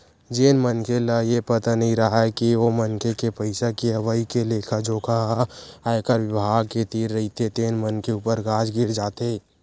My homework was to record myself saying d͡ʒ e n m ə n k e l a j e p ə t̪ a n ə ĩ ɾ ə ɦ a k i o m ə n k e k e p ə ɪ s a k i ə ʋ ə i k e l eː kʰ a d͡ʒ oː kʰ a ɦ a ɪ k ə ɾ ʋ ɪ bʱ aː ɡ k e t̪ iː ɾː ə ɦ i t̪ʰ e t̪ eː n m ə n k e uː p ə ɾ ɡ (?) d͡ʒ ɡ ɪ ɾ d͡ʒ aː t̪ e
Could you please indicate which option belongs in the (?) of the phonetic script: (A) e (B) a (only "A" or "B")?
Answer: B